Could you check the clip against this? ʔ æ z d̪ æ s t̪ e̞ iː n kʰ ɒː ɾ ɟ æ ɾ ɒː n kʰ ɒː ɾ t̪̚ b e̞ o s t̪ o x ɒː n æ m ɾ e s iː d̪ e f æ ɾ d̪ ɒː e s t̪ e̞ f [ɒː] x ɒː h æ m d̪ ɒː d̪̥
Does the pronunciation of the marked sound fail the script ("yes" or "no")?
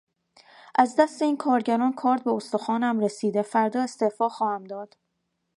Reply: no